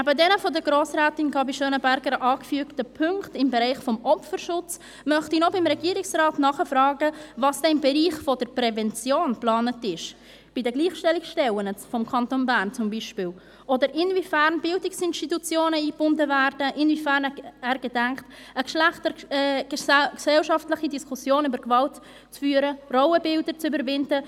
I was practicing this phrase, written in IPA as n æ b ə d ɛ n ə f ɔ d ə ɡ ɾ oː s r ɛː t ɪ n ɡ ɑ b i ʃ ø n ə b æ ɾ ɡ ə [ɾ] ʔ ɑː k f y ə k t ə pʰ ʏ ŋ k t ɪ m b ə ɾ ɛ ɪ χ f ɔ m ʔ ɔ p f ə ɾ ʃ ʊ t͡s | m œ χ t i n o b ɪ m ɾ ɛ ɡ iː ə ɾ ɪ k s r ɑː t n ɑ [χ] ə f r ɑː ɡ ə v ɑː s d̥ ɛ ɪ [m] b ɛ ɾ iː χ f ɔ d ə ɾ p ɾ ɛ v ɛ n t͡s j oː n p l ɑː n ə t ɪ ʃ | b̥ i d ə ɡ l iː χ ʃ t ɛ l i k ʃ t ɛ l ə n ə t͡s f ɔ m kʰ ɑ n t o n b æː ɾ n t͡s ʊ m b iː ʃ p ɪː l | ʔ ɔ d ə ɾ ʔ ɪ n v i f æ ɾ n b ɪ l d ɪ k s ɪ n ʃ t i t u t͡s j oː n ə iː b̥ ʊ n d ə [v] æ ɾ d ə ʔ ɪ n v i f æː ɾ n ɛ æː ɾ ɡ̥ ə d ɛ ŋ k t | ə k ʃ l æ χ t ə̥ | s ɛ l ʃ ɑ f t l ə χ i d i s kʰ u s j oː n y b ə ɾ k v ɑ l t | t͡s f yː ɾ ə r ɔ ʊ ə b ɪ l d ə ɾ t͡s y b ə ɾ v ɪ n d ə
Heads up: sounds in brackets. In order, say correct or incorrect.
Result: correct, correct, correct, correct

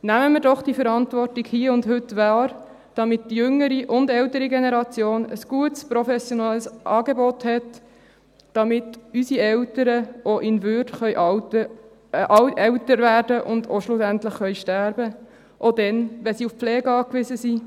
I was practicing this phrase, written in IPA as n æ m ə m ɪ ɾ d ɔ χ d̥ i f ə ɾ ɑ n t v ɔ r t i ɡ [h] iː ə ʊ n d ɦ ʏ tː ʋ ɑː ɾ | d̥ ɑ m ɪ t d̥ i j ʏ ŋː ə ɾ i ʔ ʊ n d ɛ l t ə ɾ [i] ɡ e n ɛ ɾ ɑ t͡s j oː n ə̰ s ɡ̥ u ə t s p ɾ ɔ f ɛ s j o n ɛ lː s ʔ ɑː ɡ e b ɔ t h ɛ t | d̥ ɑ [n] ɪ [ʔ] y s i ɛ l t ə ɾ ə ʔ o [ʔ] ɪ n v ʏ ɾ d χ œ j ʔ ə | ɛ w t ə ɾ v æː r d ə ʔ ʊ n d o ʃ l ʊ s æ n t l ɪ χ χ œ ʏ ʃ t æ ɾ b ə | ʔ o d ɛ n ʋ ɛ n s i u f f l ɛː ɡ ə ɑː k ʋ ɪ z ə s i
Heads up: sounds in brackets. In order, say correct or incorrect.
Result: correct, correct, incorrect: m, incorrect: t, correct

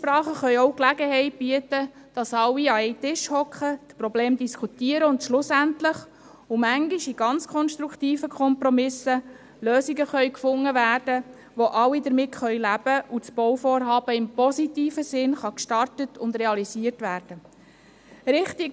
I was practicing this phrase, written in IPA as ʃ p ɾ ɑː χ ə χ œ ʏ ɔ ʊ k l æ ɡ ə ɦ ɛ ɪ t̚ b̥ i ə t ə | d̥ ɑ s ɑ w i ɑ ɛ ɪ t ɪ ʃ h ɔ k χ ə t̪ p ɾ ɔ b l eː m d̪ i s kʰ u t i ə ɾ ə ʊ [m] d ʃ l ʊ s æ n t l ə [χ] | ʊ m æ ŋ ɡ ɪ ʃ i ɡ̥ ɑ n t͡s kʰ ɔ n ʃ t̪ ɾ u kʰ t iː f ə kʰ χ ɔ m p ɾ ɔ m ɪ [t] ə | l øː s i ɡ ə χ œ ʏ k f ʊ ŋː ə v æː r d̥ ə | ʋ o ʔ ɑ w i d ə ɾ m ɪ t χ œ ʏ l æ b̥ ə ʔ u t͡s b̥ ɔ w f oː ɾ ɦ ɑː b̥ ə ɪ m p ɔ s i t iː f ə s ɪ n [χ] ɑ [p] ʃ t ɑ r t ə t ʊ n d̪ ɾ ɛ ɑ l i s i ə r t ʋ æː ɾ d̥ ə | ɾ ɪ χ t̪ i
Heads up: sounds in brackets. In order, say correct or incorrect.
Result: incorrect: n, correct, incorrect: s, correct, incorrect: k

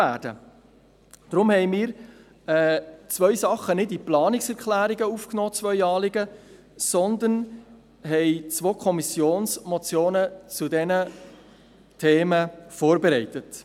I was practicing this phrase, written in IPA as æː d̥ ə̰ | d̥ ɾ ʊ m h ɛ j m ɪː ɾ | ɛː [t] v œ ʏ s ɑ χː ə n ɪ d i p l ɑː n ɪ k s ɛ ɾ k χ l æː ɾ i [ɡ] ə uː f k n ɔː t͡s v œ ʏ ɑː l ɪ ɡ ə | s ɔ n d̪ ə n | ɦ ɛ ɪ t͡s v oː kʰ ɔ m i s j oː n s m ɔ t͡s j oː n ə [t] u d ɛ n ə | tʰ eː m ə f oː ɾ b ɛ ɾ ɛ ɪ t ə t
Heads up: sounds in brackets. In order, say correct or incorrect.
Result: incorrect: t͡s, correct, incorrect: t͡s

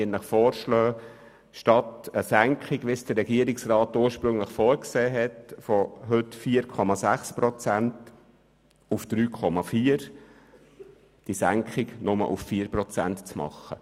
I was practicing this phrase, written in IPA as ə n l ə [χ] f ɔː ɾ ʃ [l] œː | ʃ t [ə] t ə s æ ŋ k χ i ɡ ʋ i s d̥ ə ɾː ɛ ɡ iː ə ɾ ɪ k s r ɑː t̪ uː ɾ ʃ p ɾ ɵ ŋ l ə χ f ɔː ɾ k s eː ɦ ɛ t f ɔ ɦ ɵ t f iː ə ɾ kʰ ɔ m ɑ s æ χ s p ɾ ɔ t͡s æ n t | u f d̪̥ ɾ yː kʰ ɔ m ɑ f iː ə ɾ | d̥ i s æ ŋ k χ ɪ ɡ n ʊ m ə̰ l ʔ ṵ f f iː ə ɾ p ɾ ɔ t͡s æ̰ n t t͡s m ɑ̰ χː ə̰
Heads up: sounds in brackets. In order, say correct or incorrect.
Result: correct, correct, incorrect: ɑ

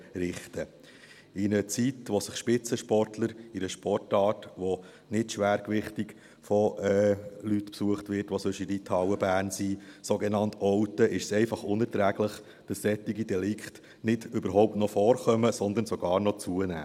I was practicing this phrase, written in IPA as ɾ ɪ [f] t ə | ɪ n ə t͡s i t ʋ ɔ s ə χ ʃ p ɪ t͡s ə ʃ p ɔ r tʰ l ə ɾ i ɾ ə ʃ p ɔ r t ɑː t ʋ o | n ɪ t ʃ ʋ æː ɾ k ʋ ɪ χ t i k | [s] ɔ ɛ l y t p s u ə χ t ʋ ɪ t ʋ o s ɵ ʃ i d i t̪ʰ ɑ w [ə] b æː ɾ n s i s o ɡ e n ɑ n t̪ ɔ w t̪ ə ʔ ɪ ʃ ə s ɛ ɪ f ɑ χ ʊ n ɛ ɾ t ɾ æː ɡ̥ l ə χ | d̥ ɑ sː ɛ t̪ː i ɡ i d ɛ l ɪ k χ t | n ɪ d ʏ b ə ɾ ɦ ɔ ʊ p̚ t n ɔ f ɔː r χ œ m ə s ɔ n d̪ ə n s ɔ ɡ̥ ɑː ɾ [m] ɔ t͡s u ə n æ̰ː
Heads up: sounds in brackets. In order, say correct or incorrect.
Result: incorrect: χ, incorrect: f, correct, incorrect: n

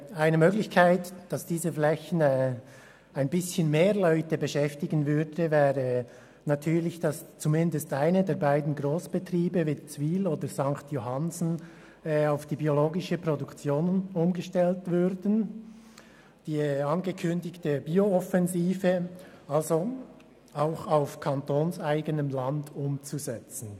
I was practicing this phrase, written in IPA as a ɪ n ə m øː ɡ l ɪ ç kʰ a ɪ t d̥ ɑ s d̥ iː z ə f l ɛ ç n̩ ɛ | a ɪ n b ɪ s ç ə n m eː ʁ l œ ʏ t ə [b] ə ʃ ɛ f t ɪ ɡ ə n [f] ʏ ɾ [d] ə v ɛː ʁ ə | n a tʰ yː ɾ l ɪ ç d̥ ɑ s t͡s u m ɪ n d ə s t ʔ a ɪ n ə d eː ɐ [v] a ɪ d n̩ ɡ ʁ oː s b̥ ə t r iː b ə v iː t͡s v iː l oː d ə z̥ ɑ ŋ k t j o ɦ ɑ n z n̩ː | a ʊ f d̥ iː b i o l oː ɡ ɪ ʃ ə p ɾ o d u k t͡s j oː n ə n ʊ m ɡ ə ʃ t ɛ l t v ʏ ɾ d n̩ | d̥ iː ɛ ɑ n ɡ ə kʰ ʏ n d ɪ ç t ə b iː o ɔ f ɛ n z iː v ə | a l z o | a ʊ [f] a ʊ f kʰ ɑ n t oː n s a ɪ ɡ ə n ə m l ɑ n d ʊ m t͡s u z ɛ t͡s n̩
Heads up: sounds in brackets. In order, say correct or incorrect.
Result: correct, incorrect: v, correct, incorrect: b, incorrect: x

